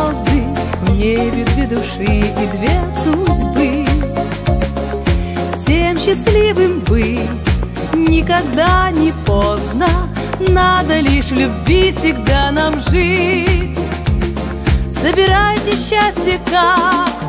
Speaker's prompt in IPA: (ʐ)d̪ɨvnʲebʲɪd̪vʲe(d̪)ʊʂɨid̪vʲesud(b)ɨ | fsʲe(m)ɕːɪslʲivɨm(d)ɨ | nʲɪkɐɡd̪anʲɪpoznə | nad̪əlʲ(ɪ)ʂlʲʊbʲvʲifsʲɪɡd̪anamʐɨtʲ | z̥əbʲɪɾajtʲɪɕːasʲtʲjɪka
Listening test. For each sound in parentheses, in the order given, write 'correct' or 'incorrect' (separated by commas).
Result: incorrect, correct, correct, correct, incorrect, incorrect